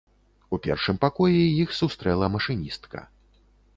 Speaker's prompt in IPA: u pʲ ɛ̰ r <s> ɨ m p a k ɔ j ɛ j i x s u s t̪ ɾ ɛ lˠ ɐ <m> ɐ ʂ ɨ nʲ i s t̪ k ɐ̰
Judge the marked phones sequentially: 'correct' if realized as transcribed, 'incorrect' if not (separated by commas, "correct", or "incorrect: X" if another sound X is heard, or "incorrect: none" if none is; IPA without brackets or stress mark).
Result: incorrect: ʂ, correct